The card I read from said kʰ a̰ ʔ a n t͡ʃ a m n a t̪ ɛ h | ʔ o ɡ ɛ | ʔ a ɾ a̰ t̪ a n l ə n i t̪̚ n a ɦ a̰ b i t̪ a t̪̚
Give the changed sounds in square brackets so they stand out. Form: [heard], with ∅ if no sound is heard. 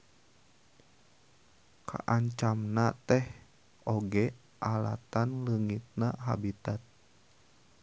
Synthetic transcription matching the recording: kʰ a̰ ʔ a [ɲ] t͡ʃ a m n a t̪ ɛ h | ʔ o ɡ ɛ | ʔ a [l] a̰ t̪ a n l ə [ŋ] i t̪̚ n a ɦ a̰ b i t̪ a t̪̚